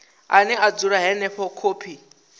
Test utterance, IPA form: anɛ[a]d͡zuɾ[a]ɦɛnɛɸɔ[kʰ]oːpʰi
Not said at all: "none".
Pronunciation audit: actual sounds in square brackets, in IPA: a, a, kʰ

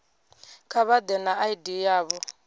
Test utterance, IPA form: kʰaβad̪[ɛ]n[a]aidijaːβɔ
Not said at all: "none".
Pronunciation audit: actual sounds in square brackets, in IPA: ɛ, a

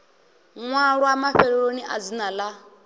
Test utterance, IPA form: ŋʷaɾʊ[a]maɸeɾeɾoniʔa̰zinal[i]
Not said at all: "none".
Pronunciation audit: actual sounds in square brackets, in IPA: a, a

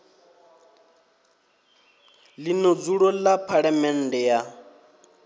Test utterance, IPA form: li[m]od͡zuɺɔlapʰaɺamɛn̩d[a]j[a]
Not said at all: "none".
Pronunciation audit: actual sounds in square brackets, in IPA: n, ɛ, a

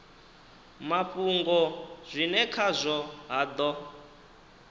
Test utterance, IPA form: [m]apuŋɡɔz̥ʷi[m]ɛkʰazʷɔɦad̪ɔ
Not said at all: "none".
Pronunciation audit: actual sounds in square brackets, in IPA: m, n

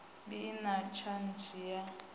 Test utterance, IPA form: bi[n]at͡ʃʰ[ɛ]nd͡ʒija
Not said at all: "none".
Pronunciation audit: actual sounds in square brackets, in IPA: n, a

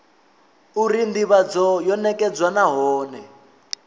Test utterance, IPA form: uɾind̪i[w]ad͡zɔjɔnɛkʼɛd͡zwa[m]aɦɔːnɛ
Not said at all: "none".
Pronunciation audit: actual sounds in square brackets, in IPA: β, n

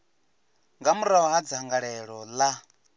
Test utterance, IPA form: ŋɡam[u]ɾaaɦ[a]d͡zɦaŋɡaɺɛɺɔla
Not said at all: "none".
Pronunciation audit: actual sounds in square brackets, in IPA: u, a

